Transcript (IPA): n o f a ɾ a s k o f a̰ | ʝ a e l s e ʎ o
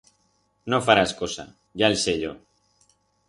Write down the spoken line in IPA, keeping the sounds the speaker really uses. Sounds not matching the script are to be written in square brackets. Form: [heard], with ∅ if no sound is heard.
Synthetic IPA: n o f a ɾ a s k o [s] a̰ | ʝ a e l s e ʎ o